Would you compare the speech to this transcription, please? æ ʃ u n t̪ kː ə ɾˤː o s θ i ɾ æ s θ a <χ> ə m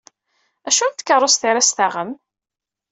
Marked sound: incorrect: ʁ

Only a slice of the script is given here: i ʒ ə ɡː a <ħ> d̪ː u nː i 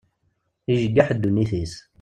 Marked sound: correct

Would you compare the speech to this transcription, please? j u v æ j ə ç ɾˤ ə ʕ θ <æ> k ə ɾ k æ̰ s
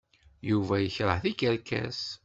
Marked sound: incorrect: i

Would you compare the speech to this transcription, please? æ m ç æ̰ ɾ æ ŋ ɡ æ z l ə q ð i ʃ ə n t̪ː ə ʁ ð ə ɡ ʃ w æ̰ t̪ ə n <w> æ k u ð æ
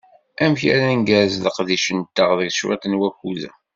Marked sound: correct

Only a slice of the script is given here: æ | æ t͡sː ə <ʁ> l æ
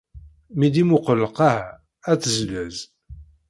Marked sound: incorrect: z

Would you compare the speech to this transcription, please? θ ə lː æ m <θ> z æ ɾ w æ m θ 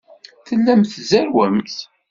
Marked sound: correct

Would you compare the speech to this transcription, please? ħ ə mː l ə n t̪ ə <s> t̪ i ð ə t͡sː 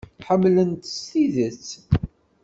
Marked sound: correct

